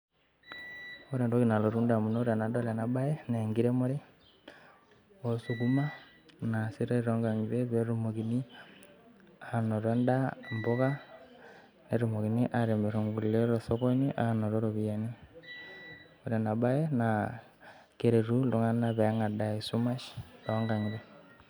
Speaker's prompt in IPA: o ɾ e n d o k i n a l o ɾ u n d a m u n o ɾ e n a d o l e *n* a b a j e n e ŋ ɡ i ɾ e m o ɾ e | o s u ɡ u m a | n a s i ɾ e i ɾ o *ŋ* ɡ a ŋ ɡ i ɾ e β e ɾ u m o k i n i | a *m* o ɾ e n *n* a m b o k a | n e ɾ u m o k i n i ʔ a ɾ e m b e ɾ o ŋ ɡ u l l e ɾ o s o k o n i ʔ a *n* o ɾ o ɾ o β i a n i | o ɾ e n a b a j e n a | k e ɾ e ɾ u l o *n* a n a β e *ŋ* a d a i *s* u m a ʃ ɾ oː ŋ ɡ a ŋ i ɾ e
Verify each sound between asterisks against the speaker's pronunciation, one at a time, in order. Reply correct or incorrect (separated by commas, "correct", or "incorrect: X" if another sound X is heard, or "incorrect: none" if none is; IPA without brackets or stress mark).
correct, correct, incorrect: n, incorrect: d, correct, incorrect: ŋ, correct, correct